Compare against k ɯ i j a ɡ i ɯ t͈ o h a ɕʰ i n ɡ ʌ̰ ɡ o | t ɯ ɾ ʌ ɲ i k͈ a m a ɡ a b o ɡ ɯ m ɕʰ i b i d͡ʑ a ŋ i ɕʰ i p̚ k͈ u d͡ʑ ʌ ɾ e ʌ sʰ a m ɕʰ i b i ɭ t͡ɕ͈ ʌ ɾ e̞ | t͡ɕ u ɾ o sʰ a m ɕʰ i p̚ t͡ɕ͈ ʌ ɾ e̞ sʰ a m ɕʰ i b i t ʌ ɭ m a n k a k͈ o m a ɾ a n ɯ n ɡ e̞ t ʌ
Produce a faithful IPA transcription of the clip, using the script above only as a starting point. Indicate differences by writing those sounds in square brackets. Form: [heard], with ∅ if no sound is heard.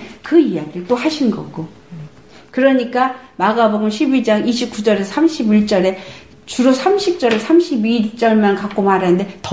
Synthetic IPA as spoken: k ɯ i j a ɡ i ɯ t͈ o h a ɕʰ i n ɡ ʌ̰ ɡ o | [k] ɯ ɾ ʌ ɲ i k͈ a m a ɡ a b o ɡ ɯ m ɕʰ i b i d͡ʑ a ŋ i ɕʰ i p̚ k͈ u d͡ʑ ʌ ɾ e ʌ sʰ a m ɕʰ i b i ɭ t͡ɕ͈ ʌ ɾ e̞ | t͡ɕ u ɾ o sʰ a m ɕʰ i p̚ t͡ɕ͈ ʌ ɾ e̞ sʰ a m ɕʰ i b i [t͡ɕ͈] ʌ ɭ m a n k a k͈ o m a ɾ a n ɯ n [d] e̞ t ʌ

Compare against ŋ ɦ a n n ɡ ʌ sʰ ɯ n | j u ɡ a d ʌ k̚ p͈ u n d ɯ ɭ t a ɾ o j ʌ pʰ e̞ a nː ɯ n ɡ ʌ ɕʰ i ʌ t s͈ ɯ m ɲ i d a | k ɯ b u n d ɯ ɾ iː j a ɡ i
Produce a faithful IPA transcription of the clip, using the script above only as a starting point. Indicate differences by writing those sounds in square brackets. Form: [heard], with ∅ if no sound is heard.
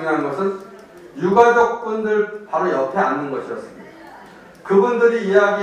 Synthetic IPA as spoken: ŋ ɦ a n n ɡ ʌ sʰ ɯ n | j u ɡ a [d͡ʑ] ʌ k̚ p͈ u n d ɯ ɭ [p] a ɾ o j ʌ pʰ e̞ a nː ɯ n ɡ ʌ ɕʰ i ʌ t s͈ ɯ m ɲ i d a | k ɯ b u n d ɯ ɾ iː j a ɡ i

